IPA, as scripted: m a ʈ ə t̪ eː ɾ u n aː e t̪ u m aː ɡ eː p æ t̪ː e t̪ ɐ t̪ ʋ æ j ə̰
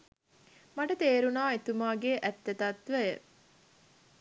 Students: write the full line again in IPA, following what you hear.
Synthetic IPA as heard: m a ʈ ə t̪ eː ɾ u n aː e t̪ u m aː ɡ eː ʔ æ t̪ː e t̪ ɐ t̪ ʋ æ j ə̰